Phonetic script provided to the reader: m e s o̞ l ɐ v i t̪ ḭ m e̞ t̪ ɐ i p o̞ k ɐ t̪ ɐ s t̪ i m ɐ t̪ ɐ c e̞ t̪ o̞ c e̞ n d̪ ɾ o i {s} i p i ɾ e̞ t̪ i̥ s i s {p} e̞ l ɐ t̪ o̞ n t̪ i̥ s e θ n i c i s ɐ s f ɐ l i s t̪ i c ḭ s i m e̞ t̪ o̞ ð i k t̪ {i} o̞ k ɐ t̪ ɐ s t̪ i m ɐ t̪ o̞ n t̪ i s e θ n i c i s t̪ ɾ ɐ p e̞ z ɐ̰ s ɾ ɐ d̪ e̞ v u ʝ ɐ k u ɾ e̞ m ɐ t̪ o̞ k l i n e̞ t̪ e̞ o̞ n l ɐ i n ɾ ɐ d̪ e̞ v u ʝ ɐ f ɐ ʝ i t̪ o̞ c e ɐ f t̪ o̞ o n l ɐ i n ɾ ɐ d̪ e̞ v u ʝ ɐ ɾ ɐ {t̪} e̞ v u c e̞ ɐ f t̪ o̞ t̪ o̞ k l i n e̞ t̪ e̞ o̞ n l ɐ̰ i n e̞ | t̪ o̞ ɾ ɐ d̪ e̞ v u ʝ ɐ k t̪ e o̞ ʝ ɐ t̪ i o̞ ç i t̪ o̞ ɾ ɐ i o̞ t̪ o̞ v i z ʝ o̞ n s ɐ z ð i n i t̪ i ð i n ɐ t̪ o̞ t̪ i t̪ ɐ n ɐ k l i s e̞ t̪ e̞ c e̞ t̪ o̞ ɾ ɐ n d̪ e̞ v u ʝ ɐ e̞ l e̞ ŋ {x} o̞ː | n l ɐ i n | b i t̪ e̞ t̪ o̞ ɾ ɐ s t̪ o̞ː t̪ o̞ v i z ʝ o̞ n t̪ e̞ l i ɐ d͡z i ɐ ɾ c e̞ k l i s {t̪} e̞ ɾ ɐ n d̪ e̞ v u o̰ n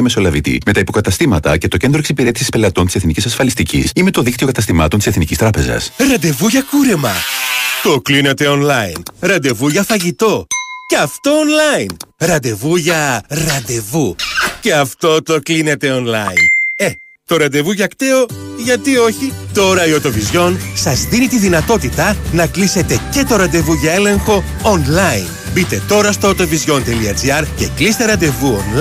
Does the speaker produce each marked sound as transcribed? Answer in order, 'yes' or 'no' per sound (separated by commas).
yes, yes, yes, no, yes, yes